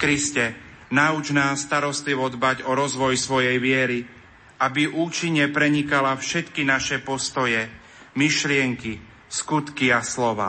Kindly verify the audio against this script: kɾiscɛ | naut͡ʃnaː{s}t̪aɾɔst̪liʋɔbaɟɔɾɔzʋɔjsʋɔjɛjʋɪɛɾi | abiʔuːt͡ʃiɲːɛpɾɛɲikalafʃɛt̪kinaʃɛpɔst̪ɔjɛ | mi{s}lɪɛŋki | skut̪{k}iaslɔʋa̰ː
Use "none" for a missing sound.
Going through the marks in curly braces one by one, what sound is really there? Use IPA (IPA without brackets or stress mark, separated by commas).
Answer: s, ʃ, k